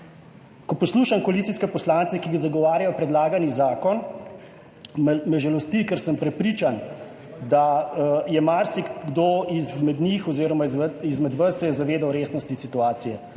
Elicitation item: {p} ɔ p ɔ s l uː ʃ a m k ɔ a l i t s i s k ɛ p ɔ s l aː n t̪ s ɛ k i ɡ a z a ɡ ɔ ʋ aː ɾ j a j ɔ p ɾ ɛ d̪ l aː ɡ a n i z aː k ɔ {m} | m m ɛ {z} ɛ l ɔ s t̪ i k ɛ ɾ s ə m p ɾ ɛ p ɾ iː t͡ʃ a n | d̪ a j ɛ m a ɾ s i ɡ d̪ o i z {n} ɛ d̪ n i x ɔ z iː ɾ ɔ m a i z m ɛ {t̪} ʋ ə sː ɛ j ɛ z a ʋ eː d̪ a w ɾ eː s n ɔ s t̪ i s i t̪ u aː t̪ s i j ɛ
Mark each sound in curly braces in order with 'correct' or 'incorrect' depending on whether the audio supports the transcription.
incorrect: k, incorrect: n, incorrect: ʒ, incorrect: m, incorrect: d̪

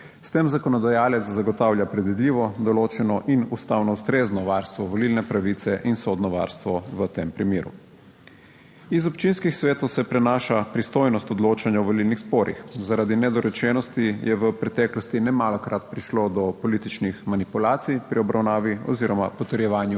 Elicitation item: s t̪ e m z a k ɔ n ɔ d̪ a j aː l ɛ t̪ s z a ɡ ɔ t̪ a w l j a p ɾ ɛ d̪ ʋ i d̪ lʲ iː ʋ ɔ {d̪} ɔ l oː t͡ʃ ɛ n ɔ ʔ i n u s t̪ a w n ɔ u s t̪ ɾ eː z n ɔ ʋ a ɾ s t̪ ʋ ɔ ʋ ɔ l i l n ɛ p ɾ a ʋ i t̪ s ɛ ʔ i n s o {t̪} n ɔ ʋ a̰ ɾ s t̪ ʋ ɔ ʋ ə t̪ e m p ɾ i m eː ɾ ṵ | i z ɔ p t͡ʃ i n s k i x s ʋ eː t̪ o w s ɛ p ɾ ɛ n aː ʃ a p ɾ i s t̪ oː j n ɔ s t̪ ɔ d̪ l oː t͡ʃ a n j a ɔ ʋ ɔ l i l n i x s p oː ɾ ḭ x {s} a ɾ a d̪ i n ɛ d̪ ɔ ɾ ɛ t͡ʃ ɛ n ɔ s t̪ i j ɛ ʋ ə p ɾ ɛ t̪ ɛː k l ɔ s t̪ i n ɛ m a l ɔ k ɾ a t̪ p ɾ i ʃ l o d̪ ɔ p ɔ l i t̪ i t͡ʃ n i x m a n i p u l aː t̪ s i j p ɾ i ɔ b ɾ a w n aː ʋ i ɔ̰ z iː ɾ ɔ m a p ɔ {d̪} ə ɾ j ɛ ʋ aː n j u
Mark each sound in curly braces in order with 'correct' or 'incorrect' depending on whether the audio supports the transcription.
correct, incorrect: d̪, incorrect: z, incorrect: t̪

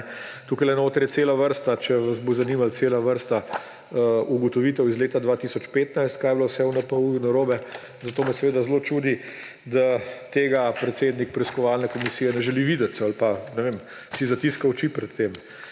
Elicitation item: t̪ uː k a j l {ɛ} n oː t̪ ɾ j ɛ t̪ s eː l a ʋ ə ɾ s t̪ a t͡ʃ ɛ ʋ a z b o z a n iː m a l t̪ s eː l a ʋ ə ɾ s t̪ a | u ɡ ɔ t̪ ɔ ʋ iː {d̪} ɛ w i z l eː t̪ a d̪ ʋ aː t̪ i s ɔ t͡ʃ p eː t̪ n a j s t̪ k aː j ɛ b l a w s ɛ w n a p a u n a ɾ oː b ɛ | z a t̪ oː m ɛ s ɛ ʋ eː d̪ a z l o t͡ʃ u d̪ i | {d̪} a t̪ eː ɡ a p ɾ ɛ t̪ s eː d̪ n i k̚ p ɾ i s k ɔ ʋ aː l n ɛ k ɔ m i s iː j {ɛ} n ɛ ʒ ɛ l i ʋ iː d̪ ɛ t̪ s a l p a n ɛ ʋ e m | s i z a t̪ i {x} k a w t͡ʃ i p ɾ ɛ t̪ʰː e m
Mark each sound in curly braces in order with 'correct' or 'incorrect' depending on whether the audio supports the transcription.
correct, incorrect: t̪, correct, correct, incorrect: s

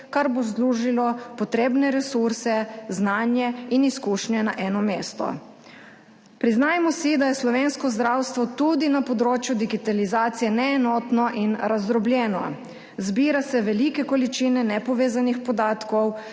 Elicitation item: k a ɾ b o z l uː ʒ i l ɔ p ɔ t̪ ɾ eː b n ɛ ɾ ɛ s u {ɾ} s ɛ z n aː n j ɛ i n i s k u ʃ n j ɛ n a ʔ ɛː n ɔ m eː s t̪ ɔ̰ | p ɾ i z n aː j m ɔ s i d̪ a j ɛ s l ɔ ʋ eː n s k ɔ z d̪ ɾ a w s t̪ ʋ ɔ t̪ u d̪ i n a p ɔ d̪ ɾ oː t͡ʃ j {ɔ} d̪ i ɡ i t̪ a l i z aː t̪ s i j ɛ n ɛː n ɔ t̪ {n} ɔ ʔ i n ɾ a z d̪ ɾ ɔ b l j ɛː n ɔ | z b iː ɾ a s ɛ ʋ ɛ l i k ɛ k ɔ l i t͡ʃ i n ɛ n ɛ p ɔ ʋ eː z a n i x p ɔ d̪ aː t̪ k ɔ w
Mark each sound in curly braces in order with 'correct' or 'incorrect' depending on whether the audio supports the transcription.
correct, incorrect: u, correct

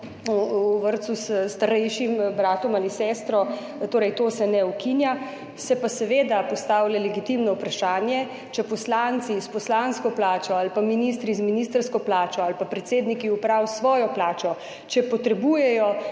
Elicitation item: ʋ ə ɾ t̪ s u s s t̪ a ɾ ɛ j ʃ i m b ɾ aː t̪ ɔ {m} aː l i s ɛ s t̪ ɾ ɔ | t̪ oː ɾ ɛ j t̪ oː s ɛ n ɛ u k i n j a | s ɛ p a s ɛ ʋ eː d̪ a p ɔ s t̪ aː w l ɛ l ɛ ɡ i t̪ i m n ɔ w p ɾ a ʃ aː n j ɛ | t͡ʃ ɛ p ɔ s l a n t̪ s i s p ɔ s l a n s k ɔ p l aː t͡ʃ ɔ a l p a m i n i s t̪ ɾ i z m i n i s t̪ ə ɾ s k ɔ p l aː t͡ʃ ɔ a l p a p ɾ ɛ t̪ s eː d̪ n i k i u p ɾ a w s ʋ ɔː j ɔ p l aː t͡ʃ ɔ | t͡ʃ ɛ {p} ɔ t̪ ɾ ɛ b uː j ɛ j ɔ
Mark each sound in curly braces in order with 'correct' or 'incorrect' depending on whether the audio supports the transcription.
correct, correct

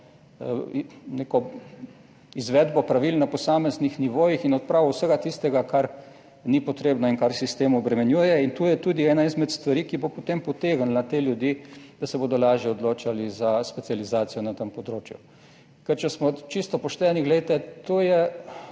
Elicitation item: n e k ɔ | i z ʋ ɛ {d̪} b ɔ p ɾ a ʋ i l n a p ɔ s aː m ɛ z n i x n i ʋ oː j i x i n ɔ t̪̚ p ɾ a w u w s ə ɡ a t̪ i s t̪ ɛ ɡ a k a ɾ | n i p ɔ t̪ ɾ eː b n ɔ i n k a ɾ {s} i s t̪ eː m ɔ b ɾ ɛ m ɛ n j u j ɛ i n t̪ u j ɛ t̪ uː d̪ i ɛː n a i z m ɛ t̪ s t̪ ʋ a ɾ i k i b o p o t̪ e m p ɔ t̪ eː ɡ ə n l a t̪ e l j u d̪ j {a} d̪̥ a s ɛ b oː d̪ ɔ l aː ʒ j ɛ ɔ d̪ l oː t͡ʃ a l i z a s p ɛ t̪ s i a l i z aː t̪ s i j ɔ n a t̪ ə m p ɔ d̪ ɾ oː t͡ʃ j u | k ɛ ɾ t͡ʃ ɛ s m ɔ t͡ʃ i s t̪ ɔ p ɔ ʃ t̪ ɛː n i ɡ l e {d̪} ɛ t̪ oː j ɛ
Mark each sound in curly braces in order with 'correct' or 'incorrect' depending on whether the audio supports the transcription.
correct, correct, incorrect: i, incorrect: t̪

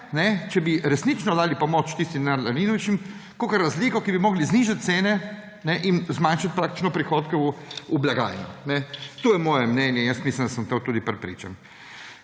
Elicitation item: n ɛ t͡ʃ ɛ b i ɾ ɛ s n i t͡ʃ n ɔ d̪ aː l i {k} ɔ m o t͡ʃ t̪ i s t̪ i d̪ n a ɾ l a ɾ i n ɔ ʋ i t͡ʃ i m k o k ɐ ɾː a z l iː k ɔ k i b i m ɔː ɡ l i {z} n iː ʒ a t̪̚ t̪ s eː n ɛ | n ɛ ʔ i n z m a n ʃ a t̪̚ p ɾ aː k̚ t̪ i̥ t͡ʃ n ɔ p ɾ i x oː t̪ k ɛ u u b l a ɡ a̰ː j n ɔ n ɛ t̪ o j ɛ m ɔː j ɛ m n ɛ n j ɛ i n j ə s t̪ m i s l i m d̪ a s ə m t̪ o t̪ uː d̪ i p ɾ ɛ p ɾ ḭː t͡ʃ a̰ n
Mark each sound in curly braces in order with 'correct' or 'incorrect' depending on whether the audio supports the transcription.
incorrect: p, correct

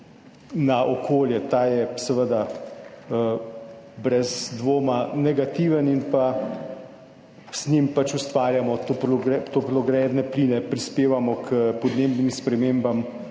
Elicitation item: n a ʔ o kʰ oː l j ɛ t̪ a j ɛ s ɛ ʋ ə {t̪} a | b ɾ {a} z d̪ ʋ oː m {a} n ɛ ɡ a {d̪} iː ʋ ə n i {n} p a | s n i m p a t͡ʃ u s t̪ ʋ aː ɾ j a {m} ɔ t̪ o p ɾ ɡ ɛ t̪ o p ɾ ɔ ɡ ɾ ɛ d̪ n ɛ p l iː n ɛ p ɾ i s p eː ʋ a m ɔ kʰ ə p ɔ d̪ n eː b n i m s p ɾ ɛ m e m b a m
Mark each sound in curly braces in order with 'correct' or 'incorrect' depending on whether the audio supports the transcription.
incorrect: d̪, incorrect: ɛ, correct, incorrect: t̪, correct, correct

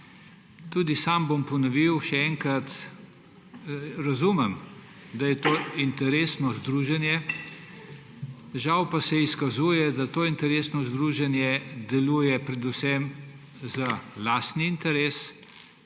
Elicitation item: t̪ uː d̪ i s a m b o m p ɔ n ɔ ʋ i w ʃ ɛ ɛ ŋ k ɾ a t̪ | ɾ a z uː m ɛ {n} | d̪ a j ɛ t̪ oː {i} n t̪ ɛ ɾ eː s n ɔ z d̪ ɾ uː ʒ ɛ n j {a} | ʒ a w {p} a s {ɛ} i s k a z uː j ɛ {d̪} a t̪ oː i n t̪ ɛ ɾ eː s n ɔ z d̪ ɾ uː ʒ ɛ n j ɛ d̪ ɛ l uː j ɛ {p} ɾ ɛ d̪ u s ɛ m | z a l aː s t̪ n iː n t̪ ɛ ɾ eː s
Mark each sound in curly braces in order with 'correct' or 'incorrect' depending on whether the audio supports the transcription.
incorrect: m, correct, incorrect: ɛ, correct, correct, correct, correct

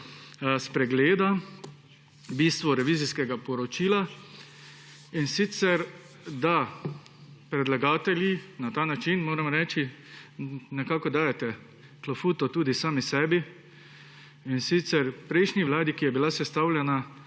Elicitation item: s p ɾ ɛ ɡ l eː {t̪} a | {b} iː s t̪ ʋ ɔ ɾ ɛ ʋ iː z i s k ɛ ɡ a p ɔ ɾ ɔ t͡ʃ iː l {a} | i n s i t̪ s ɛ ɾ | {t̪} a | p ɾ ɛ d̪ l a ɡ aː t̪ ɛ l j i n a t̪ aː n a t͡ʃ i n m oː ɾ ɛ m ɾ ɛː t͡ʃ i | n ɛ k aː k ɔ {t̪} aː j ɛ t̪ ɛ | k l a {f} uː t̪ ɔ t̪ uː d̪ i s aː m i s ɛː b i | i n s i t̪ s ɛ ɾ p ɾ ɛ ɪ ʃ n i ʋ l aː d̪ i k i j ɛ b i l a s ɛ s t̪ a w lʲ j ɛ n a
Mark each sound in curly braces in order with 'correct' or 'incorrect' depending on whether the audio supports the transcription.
incorrect: d̪, correct, correct, incorrect: d̪, incorrect: d̪, correct

